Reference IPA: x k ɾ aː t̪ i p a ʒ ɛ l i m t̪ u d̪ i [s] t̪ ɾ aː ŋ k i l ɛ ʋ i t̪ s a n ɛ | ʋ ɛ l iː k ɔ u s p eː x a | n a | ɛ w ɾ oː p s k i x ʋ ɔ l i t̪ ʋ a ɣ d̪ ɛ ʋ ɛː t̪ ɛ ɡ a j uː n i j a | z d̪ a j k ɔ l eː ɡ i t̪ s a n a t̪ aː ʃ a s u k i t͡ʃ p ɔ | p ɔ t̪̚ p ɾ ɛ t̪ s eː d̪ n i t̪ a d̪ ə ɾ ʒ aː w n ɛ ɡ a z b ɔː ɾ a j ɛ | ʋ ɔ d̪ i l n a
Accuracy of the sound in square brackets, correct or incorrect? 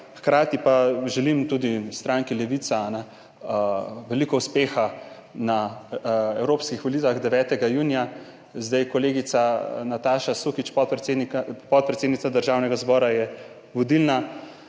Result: correct